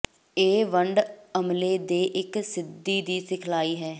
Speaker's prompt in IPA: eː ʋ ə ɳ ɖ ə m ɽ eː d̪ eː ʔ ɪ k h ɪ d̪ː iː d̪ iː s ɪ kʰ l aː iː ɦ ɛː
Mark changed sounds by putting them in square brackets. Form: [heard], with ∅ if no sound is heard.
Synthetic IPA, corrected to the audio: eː ʋ ə ɳ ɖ ə m [l] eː d̪ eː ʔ ɪ k [s] ɪ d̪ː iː d̪ iː s ɪ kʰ l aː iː ɦ ɛː